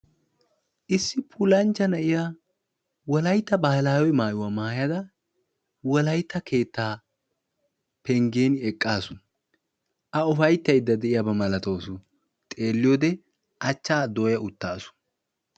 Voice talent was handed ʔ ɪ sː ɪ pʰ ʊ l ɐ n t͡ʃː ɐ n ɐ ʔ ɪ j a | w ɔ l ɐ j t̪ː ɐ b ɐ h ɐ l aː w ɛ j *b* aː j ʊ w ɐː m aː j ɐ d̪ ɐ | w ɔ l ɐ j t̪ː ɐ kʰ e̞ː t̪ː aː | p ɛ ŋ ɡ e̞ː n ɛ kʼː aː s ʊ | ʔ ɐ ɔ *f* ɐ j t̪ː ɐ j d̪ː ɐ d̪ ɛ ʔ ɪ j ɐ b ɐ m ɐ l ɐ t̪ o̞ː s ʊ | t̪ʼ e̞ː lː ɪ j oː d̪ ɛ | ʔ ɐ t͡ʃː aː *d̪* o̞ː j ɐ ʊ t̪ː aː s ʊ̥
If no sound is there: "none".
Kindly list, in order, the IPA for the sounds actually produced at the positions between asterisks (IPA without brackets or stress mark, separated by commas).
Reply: m, f, d̪